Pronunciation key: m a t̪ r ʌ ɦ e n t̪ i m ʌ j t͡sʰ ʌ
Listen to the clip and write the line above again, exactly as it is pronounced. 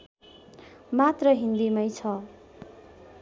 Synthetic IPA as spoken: m a t̪ r ʌ ɦ i n d̪ i m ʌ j t͡sʰ ʌ